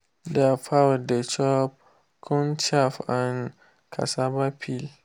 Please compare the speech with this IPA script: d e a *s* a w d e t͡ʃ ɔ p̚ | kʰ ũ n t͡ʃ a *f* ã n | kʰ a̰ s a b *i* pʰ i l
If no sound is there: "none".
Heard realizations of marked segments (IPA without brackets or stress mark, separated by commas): f, f, a